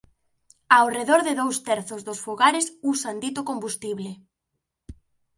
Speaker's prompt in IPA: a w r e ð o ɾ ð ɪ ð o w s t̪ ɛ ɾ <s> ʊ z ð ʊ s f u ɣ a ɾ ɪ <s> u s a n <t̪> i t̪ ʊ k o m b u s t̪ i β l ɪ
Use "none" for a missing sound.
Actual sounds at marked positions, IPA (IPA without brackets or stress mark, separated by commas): θ, s, d̪